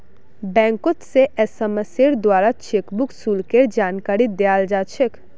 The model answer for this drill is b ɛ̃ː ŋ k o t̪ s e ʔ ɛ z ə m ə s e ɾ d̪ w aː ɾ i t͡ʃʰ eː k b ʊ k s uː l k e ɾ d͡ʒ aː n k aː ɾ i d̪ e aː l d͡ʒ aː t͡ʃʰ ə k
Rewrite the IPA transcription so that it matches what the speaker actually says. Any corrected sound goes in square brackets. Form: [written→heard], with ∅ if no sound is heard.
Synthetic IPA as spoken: b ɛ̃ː ŋ k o t̪ s e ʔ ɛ [z→s] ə m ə s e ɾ d̪ w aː ɾ [i→a] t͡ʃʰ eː k b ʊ k s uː l k e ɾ d͡ʒ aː n k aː ɾ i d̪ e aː l d͡ʒ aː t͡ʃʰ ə k